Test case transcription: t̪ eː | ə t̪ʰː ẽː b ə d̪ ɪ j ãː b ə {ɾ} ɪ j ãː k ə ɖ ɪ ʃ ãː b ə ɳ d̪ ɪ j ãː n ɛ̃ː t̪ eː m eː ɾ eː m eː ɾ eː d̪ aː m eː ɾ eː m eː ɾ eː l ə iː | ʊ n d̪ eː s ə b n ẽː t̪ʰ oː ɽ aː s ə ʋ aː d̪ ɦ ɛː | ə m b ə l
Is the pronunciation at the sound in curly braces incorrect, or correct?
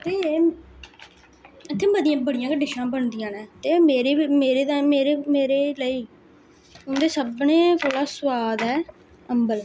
incorrect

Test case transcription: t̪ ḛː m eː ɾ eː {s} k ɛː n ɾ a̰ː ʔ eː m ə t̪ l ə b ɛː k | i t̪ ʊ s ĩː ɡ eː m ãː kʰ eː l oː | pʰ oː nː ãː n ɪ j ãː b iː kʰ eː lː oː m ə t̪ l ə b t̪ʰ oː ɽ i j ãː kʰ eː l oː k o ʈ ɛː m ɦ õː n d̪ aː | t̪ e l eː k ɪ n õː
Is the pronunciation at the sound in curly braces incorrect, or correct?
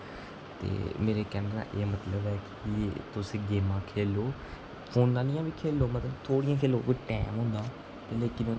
incorrect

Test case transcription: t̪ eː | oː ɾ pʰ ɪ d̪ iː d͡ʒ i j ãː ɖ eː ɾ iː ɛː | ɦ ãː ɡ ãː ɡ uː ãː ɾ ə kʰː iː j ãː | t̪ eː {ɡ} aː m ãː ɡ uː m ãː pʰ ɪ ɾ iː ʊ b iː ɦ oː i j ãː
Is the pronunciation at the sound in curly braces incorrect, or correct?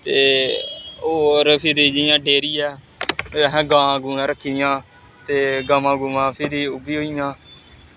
correct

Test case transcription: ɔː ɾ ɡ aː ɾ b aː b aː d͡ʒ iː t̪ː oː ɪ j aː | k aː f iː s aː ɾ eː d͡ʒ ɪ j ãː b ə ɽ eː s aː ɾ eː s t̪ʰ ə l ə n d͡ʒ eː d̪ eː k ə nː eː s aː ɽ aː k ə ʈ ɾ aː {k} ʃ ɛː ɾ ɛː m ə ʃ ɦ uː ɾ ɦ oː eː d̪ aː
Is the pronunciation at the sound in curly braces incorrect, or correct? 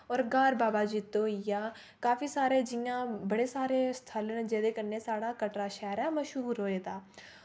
incorrect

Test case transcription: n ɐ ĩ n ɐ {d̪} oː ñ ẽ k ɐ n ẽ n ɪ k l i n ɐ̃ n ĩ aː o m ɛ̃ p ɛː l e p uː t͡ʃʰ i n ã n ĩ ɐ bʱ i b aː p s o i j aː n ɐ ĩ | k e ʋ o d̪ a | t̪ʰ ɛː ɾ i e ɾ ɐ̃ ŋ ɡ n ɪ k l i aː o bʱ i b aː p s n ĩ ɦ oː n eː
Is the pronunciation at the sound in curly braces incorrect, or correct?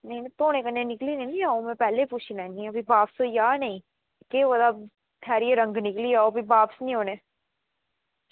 incorrect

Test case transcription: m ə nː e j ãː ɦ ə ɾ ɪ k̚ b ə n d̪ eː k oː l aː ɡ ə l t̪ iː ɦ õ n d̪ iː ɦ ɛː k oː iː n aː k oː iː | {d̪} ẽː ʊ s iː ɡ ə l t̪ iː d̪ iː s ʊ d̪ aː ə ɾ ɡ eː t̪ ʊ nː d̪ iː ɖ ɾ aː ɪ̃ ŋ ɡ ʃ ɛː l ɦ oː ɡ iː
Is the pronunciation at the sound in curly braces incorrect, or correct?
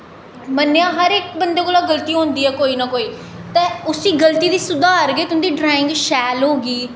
incorrect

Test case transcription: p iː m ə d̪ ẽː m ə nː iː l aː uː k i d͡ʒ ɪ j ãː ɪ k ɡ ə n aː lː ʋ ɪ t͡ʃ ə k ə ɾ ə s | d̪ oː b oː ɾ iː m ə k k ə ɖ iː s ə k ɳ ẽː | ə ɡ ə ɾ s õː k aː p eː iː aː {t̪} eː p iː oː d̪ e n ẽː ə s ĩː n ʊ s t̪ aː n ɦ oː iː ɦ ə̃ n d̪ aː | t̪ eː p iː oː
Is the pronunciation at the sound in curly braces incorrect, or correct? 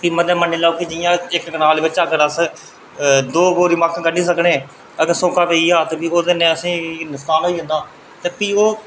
correct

